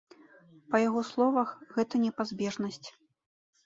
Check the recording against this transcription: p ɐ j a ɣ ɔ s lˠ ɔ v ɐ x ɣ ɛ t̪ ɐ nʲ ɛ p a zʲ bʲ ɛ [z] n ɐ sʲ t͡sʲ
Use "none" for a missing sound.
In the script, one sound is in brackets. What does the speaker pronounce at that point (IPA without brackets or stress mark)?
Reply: ʐ